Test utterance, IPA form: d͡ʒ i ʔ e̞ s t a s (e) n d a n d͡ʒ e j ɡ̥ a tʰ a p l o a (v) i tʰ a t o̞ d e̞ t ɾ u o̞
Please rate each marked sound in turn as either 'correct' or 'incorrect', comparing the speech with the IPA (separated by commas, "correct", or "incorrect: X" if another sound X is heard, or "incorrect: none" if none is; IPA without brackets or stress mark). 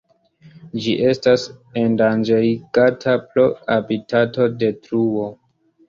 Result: correct, incorrect: b